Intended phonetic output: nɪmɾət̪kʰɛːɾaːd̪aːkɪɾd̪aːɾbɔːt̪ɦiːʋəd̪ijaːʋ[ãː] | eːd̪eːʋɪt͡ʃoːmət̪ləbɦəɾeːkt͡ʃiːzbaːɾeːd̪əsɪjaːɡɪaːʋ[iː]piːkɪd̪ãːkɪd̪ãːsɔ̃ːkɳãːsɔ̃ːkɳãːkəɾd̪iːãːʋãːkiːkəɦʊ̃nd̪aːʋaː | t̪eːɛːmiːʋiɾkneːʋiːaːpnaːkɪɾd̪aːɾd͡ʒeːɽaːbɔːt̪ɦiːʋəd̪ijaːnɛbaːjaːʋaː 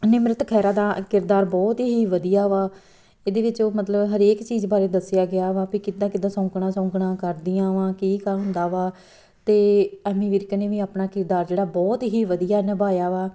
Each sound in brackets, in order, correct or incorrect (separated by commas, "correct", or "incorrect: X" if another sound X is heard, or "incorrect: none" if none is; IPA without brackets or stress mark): incorrect: aː, incorrect: aː